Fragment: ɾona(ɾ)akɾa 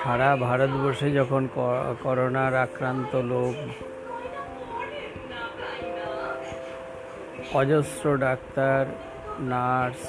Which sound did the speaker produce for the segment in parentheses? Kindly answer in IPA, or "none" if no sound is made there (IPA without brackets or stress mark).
ɾ